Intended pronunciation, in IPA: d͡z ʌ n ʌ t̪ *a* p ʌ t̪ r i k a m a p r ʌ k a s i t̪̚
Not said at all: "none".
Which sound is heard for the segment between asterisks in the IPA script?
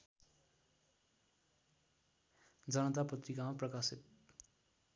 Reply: a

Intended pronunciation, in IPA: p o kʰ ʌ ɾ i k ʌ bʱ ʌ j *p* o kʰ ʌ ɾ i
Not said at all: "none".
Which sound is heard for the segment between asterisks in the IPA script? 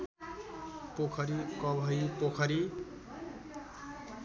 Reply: p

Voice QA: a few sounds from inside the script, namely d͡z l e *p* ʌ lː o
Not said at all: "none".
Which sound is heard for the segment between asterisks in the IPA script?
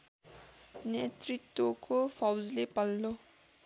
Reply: p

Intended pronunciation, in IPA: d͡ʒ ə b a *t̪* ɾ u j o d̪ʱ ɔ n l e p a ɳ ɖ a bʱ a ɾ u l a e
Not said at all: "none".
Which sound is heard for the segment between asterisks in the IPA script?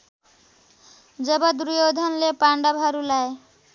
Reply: d̪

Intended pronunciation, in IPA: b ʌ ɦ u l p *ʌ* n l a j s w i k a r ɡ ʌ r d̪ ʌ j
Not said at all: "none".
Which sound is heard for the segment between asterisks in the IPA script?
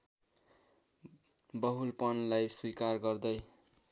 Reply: ʌ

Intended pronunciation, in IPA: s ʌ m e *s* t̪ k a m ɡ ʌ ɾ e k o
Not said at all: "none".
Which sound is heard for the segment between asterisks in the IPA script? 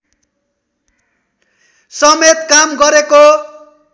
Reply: none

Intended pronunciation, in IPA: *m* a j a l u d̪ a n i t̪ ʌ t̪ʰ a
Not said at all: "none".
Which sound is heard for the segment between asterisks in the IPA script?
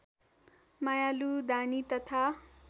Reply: m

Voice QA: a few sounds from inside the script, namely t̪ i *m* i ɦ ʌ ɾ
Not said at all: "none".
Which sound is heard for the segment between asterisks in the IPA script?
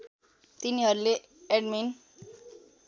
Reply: n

